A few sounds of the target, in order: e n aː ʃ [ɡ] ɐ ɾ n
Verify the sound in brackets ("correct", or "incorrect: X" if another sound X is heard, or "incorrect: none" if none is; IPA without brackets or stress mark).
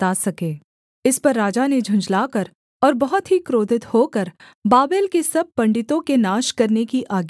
incorrect: k